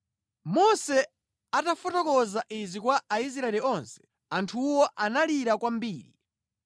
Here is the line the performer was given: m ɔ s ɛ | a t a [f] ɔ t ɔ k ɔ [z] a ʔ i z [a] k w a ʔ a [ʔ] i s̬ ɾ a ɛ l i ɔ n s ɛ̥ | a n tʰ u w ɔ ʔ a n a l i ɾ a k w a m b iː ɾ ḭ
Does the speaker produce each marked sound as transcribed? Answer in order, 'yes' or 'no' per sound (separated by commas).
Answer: yes, yes, no, no